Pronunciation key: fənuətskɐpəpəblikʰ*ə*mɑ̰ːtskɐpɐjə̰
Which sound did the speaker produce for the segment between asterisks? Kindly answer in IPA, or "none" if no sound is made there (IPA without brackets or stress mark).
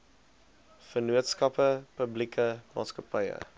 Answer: ə